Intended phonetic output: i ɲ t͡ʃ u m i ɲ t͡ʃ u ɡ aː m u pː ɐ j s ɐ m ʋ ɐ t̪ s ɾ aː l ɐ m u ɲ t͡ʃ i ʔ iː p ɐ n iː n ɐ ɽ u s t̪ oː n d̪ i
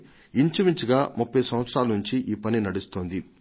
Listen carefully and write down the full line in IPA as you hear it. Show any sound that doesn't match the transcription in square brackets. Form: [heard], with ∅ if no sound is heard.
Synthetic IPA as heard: i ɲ t͡ʃ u m i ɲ t͡ʃ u ɡ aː m u pː ɐ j s ɐ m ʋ ɐ t̪ s ɾ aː l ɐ [n] u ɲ t͡ʃ i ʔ iː p ɐ n [i] n ɐ ɽ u s t̪ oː n d̪ i